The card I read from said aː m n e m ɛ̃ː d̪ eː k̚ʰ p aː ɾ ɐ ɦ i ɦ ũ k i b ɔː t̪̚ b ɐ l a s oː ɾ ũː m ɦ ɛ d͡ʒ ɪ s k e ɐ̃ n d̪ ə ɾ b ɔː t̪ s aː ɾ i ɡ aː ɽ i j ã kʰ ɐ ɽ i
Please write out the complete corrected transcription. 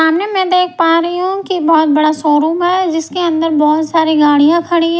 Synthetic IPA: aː m n e m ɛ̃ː d̪ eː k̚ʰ p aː ɾ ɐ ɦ i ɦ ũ k i b ɔː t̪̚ b ɐ ɽ a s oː ɾ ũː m ɦ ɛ d͡ʒ ɪ s k e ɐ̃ n d̪ ə ɾ b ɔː t̪ s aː ɾ i ɡ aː ɽ i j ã kʰ ɐ ɽ i